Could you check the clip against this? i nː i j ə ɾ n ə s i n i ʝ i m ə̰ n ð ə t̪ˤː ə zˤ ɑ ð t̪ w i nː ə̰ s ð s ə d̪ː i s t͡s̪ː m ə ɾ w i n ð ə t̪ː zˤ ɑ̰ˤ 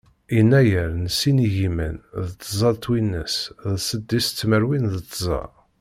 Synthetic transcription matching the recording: i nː æ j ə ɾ n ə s i n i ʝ i m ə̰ n ð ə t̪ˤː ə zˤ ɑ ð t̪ w i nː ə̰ s ð s ə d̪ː i s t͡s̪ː m ə ɾ w i n ð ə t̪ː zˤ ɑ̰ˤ